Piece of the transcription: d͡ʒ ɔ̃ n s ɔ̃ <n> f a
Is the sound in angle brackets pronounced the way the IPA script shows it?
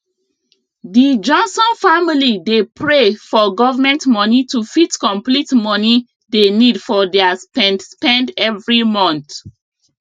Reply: yes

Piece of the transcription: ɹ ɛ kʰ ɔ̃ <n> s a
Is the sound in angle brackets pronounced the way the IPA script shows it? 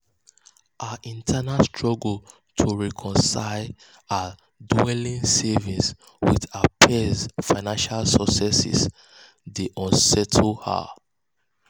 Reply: yes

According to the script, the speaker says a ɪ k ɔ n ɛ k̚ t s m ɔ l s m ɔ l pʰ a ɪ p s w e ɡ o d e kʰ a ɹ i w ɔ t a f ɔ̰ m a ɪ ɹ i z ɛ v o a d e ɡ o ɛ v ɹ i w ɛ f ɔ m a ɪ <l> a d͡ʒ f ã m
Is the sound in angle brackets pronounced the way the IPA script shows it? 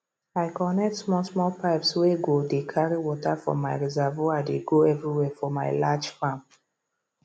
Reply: yes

